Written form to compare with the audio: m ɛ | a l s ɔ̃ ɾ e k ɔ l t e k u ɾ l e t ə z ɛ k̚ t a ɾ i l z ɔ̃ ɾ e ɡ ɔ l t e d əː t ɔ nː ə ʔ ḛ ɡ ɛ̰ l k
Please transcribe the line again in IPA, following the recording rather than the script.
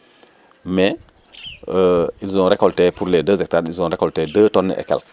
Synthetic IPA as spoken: m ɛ | i l z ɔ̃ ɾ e k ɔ l t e p u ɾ l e d ə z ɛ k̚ t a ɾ i l z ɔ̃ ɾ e k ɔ l t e d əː t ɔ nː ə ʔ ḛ k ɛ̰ l k

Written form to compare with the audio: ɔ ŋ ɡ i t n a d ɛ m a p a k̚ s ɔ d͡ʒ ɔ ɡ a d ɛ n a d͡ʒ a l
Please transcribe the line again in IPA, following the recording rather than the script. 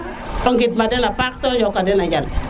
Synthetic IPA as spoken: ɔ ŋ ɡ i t m a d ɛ n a p a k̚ t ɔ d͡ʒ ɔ k a d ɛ n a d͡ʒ a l

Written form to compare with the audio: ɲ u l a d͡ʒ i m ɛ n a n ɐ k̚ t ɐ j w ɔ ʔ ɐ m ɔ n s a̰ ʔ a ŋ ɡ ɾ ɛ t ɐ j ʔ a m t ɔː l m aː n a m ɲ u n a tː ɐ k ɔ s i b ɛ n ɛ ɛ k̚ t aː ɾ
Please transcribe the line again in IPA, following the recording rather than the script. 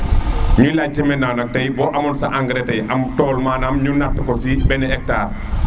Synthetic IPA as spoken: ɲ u l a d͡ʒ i m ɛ n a n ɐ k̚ t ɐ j b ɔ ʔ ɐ m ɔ n s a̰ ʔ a ŋ ɡ ɾ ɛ t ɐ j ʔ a m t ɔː l m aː n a m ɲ u n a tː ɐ k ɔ s i b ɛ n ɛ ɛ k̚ t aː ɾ

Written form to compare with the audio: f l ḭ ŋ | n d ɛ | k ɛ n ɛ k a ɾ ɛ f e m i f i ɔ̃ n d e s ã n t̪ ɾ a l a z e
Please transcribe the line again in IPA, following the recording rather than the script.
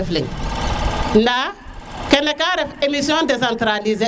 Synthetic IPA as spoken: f l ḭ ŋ | n d a | k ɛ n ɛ k a ɾ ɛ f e m i s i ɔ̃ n d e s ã n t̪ ɾ a l i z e

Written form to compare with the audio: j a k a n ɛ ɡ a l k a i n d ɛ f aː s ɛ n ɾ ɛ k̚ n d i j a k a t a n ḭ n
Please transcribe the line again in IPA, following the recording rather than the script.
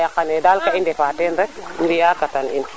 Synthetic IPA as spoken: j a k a n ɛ d a l k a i n d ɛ f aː t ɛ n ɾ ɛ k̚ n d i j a k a t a n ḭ n

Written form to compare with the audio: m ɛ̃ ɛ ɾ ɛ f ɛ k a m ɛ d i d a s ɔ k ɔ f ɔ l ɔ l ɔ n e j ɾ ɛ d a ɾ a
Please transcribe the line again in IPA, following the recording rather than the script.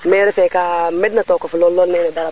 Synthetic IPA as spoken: m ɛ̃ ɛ ɾ ɛ f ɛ k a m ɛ d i n a t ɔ k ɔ f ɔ l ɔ l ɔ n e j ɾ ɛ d a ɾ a

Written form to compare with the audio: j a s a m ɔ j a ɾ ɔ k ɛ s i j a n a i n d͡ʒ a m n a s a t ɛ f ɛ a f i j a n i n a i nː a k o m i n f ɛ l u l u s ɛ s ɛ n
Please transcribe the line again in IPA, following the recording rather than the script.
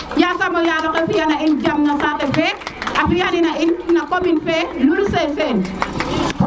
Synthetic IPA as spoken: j a s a m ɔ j a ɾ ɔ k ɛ f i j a n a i n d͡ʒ a m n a s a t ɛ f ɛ a f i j a n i n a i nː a k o m i n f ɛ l u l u s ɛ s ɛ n

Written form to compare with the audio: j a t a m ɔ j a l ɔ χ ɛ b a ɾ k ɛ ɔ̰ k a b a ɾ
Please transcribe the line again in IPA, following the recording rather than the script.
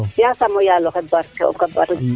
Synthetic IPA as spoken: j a s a m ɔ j a l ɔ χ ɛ b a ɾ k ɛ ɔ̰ k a b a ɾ

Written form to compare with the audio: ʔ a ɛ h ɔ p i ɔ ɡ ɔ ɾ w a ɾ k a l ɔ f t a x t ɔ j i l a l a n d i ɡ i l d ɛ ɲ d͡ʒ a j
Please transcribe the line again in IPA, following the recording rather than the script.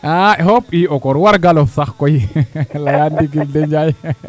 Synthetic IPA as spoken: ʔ a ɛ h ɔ p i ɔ k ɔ ɾ w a ɾ ɡ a l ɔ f s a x k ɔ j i l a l a n d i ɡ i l d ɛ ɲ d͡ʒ a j

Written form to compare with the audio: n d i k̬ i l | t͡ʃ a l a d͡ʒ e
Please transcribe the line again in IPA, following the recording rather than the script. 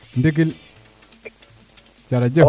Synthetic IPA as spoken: n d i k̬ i l | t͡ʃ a ɾ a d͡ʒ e

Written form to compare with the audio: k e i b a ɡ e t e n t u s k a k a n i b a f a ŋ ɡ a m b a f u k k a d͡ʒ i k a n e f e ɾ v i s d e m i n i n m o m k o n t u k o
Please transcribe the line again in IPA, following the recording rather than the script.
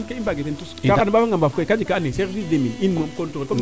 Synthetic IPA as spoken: k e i b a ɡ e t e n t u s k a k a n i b a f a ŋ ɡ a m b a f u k k a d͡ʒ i k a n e s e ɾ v i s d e m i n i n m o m k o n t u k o

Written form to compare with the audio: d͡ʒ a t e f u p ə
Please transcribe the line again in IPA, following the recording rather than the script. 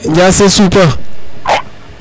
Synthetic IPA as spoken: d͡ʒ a s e s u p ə

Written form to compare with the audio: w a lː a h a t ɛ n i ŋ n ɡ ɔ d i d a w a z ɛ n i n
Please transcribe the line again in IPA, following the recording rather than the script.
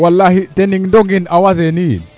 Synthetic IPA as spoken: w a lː a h i t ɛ n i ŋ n d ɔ ɡ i n a w a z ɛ n i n

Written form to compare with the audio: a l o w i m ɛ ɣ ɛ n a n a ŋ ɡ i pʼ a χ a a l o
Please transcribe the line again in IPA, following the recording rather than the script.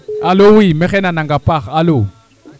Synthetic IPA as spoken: a l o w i m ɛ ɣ ɛ n a n a ŋ ɡ a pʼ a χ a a l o

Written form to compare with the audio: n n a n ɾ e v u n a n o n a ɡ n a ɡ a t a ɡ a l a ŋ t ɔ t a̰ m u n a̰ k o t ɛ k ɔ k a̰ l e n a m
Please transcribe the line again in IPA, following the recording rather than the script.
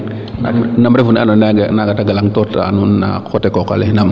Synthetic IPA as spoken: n n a m ɾ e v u n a n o n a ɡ n a ɡ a t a ɡ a l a ŋ t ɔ t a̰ n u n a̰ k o t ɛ k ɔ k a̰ l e n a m

